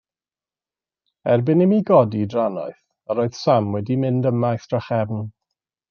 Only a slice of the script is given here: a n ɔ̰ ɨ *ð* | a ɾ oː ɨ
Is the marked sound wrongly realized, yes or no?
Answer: yes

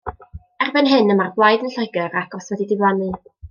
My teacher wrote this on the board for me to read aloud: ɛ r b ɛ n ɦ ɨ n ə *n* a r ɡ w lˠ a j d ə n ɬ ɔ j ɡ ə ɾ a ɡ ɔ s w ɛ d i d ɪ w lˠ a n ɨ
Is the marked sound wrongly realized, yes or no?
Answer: yes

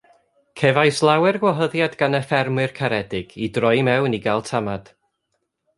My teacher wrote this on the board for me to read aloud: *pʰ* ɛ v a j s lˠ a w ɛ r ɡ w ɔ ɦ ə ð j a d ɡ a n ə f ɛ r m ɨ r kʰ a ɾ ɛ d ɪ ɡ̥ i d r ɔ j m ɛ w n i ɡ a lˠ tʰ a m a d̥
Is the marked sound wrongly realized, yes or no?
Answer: yes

